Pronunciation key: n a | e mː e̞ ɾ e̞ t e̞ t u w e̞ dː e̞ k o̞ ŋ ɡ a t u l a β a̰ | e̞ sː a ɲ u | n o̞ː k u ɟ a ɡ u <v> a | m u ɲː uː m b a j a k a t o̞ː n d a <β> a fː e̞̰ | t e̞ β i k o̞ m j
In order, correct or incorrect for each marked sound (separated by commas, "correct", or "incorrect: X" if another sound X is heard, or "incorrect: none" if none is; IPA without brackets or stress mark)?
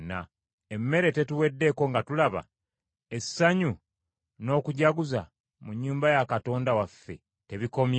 incorrect: z, incorrect: w